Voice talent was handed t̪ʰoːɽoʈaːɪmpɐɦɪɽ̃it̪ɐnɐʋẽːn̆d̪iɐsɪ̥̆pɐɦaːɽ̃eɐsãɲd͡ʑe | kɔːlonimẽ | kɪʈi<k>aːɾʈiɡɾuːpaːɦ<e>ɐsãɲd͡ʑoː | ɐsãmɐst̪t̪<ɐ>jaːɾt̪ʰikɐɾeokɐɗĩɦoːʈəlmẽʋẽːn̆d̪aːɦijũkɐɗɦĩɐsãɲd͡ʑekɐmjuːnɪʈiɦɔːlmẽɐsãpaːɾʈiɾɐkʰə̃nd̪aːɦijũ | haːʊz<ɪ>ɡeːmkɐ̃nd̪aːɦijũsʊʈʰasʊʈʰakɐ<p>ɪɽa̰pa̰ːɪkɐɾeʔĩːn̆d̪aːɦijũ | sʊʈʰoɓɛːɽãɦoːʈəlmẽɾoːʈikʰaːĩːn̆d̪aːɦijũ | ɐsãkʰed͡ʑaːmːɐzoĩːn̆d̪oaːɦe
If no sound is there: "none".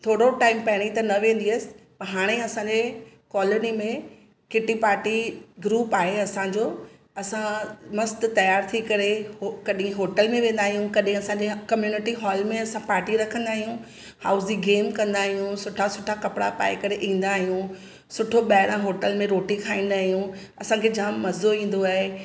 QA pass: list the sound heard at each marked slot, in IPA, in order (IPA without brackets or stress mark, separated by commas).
p, e, ɐ, i, p